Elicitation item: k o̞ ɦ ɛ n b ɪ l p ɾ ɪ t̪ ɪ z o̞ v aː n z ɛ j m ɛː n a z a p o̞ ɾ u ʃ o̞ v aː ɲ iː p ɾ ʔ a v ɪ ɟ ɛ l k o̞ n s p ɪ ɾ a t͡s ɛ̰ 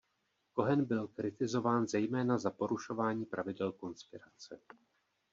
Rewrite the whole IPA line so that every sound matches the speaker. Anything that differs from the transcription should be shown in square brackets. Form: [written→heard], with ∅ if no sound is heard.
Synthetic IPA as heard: k o̞ ɦ ɛ n b ɪ l [p→k] ɾ ɪ t̪ ɪ z o̞ v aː n z ɛ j m ɛː n a z a p o̞ ɾ u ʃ o̞ v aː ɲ iː p ɾ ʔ a v ɪ [ɟ→d] ɛ l k o̞ n s p ɪ ɾ a t͡s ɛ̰